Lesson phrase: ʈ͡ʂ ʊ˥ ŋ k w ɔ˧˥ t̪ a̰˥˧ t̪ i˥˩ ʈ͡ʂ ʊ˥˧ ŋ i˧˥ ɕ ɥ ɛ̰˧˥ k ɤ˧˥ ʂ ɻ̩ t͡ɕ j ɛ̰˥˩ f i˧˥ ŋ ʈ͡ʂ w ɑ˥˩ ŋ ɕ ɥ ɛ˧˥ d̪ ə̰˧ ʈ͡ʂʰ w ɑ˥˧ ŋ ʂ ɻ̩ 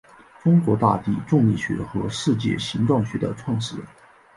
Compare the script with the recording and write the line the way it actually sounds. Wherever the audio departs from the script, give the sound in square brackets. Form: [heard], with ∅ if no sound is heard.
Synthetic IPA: ʈ͡ʂ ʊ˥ ŋ k w ɔ˧˥ t̪ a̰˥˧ t̪ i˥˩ ʈ͡ʂ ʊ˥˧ ŋ [i˥˩] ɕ ɥ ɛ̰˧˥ [x] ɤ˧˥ ʂ ɻ̩ t͡ɕ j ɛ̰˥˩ [ɕ] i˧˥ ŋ ʈ͡ʂ w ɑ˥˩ ŋ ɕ ɥ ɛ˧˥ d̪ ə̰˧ ʈ͡ʂʰ w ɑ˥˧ ŋ ʂ ɻ̩